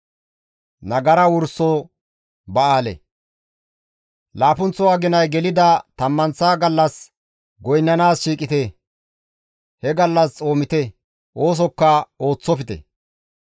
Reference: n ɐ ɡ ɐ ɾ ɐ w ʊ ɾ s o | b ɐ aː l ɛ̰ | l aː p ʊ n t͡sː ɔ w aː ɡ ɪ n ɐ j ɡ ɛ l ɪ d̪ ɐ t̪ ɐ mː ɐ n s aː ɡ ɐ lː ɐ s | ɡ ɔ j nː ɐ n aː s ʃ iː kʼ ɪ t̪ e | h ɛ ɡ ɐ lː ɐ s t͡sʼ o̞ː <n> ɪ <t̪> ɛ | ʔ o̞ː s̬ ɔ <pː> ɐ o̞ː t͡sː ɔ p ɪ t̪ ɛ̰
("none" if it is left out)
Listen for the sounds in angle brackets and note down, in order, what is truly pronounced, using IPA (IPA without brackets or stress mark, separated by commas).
m, t̪, kː